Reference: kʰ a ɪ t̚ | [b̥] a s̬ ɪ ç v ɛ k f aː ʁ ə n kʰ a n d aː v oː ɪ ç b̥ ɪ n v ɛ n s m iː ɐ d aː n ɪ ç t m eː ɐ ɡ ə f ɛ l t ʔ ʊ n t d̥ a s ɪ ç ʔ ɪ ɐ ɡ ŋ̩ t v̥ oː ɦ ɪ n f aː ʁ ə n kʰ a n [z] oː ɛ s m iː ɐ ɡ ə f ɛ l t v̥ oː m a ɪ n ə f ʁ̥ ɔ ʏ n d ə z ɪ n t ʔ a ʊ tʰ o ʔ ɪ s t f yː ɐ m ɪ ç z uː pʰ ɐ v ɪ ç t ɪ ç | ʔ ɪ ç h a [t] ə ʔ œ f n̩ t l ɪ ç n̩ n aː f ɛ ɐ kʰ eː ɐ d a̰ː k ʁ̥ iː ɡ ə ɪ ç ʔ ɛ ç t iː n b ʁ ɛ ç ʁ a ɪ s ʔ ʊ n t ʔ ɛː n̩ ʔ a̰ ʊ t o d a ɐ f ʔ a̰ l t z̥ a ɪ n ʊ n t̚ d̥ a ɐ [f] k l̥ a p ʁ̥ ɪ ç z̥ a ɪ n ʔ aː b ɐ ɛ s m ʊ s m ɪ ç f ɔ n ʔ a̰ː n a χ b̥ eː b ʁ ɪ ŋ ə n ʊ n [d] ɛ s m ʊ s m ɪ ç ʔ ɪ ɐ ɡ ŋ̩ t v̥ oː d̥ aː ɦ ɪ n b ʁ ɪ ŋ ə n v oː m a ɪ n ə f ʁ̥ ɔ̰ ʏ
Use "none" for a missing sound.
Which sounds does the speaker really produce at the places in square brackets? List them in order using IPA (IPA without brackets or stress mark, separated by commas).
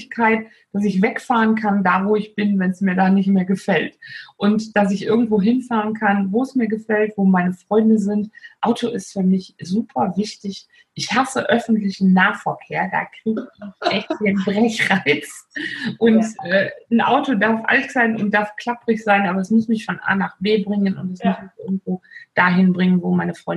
d̥, v, s, f, t